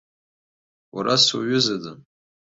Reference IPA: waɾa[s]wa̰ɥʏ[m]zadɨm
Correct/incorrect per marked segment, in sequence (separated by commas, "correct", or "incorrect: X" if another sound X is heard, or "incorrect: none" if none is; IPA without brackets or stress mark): correct, incorrect: none